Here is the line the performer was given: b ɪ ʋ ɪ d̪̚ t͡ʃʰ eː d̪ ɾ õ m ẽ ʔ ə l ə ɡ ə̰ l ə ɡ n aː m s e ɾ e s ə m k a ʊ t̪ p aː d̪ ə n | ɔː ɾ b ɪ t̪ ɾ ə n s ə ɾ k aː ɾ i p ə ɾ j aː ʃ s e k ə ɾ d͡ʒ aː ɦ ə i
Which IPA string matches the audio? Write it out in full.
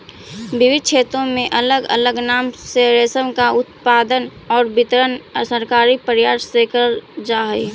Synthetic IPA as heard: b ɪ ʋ ɪ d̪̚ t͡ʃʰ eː t̪ ɾ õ m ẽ ʔ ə l ə ɡ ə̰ l ə ɡ n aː m s e ɾ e s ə m k a ʊ t̪ p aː d̪ ə n | ɔː ɾ b ɪ t̪ ɾ ə n s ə ɾ k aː ɾ i p ə ɾ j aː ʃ s e k ə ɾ d͡ʒ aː ɦ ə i